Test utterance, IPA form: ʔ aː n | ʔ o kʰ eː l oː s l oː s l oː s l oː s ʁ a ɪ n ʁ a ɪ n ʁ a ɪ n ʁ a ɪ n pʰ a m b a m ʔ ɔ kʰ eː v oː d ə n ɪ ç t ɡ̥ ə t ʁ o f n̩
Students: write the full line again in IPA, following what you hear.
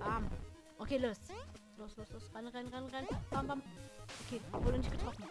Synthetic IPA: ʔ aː m | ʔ o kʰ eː l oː s l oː s l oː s l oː s ʁ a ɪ n ʁ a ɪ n ʁ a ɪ n ʁ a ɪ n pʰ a m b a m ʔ o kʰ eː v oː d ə n ɪ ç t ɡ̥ ə t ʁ ɔ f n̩

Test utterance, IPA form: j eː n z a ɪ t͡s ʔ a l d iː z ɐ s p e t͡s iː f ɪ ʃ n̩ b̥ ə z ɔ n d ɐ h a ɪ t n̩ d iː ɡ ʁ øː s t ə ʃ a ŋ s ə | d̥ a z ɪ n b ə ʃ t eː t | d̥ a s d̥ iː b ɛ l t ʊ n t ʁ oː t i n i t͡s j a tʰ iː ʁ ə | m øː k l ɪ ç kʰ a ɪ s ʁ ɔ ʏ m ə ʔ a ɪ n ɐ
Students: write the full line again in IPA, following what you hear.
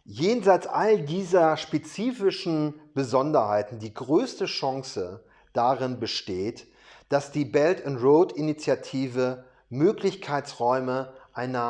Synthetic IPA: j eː n z a ɪ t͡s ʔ a l d iː z ɐ ʃ p e t͡s iː f ɪ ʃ n̩ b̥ ə z ɔ n d ɐ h a ɪ t n̩ d iː ɡ ʁ øː s t ə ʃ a ŋ s ə | d̥ a ʁ ɪ n b ə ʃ t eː t | d̥ a s d̥ iː b ɛ l t ʊ n t ʁ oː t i n i t͡s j a tʰ iː v ə | m øː k l ɪ ç kʰ a ɪ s ʁ ɔ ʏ m ə ʔ a ɪ n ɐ

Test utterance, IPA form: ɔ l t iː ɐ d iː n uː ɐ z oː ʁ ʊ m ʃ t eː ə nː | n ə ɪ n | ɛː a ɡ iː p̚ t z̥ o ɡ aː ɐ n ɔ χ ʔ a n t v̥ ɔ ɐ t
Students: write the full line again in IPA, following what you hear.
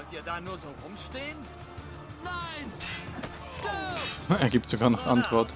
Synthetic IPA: ɔ l t iː ɐ d aː n uː ɐ z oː ʁ ʊ m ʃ t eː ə n | n a ɪ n | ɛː ɐ ɡ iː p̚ t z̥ o ɡ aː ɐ n ɔ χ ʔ a n t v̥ ɔ ɐ t

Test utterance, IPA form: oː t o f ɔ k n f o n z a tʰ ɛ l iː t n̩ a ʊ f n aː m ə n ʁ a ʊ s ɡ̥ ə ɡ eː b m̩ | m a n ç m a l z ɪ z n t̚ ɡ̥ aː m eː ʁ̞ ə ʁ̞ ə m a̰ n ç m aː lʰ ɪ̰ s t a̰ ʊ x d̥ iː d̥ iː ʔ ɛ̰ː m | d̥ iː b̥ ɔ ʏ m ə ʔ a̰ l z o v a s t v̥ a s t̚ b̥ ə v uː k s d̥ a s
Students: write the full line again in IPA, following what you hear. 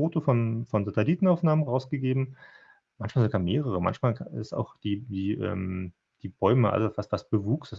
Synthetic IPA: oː t o f ɔ n f ɔ n z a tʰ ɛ l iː t n̩ a ʊ f n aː m ə n ʁ a ʊ s ɡ̥ ə ɡ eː b m̩ | m a n ç m a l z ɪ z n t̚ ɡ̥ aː m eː ʁ̞ ə ʁ̞ ə m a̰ n ç m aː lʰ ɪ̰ s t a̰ ʊ x d̥ iː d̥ iː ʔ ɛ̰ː m | d̥ iː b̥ ɔ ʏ m ə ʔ a̰ l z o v a s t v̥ a s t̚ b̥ ə v uː k s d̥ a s

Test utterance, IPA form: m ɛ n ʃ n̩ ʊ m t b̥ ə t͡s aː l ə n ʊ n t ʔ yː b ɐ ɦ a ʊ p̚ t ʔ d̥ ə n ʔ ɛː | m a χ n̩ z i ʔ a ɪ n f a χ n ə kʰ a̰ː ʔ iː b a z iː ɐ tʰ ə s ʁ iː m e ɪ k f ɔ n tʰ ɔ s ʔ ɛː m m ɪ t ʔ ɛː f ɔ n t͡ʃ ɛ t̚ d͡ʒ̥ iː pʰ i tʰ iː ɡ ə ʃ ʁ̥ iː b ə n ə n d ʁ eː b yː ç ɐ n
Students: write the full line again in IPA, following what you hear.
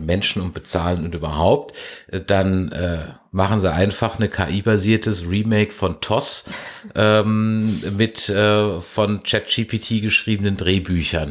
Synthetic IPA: m ɛ n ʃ n̩ ʊ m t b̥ ə t͡s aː l ə n ʊ n t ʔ yː b ɐ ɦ a ʊ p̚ t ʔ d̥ a n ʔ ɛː | m a χ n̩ z i ʔ a ɪ n f a χ n ə kʰ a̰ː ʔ iː b a z iː ɐ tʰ ə s ʁ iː m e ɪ k f ɔ n tʰ ɔ s ʔ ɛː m m ɪ t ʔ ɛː f ɔ n t͡ʃ ɛ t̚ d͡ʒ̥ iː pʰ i tʰ iː ɡ ə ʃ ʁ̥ iː b ə n ə n d ʁ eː b yː ç ɐ n

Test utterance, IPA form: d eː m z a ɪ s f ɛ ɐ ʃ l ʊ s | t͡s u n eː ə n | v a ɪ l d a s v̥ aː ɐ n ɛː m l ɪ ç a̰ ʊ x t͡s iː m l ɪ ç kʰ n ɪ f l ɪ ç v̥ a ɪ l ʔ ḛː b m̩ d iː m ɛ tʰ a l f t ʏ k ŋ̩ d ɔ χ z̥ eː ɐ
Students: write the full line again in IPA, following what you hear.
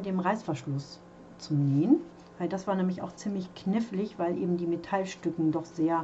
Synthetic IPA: d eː m ʁ a ɪ s f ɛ ɐ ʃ l ʊ s | t͡s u n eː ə n | v a ɪ l d a s v̥ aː ɐ n ɛː m l ɪ ç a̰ ʊ x t͡s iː m l ɪ ç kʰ n ɪ f l ɪ ç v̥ a ɪ l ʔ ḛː b m̩ d iː m e tʰ a l ʃ t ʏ k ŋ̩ d ɔ χ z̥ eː ɐ

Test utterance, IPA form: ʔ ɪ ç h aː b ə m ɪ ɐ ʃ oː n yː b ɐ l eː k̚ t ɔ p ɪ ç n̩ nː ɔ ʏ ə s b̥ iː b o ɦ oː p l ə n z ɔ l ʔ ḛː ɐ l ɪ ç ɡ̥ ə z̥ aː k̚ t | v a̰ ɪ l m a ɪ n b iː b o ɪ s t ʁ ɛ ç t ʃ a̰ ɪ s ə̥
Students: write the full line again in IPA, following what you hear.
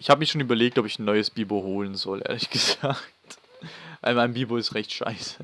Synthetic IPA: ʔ ɪ ç h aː b ə m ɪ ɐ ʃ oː n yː b ɐ l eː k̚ t ɔ p ɪ ç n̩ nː ɔ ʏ ə s b̥ iː b o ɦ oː l ə n z ɔ l ʔ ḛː ɐ l ɪ ç ɡ̥ ə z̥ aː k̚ t | v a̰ ɪ l m a ɪ n b iː b o ɪ s t ʁ ɛ ç t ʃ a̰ ɪ s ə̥

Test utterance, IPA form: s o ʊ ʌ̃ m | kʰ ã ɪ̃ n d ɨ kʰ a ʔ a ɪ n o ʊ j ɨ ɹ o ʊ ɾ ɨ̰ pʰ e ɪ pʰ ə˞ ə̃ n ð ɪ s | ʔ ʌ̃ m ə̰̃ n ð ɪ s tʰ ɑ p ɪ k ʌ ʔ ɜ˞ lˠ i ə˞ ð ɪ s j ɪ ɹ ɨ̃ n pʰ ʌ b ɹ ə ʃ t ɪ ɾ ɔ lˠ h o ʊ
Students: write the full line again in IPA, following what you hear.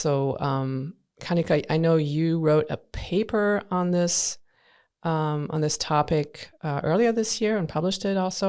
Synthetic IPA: s o ʊ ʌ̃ m | kʰ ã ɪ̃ n d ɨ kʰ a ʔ a ɪ n o ʊ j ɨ ɹ o ʊ ɾ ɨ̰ pʰ e ɪ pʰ ə˞ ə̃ n ð ɪ s | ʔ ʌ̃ m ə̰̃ n ð ɪ s tʰ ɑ p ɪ k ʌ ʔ ɜ˞ lˠ i ə˞ ð ɪ s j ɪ ɹ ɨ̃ n pʰ ʌ b l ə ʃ t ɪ ɾ ɔ lˠ s o ʊ

